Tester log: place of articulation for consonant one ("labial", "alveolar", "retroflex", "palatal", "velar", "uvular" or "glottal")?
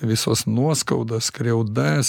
labial